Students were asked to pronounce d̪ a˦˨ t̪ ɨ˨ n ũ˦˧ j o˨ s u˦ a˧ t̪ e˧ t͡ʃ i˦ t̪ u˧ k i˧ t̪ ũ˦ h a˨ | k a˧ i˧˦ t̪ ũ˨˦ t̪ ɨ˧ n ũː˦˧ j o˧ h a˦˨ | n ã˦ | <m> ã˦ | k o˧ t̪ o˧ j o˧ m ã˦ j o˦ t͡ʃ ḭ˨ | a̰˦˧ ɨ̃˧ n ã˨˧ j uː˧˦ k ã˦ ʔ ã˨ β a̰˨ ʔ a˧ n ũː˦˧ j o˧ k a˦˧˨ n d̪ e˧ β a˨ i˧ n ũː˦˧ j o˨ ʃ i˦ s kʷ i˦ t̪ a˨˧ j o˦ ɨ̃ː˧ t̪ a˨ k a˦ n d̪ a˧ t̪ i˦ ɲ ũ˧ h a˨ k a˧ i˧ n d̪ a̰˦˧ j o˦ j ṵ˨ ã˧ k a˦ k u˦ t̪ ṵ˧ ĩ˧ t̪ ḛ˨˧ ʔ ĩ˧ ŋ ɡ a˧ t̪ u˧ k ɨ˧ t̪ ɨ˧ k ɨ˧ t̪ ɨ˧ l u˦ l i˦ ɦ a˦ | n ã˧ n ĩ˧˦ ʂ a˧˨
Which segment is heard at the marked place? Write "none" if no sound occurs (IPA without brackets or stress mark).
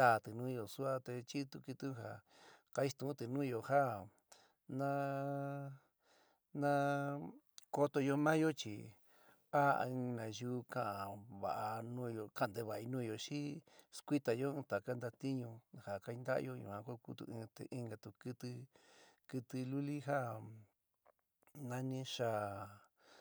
n